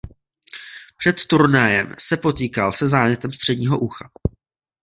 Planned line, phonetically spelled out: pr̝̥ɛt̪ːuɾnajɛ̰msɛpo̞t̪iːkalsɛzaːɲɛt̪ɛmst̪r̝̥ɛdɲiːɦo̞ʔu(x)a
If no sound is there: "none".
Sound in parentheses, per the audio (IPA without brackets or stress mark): x